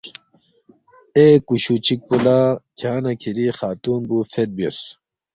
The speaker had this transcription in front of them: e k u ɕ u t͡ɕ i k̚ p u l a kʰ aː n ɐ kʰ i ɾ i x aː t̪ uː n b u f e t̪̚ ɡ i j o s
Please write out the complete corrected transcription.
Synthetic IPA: e k u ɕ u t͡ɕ i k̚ p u l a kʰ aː n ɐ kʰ i ɾ i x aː t̪ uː n b u f e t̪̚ b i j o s